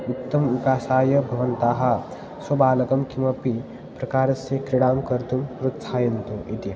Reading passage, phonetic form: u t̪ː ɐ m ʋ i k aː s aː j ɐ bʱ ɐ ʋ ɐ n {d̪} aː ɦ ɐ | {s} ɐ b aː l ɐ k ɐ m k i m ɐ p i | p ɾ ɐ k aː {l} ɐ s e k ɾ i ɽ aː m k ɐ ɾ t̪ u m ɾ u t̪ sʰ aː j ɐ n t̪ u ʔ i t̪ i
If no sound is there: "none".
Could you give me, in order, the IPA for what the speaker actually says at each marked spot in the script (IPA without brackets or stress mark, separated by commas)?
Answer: t̪, s, ɾ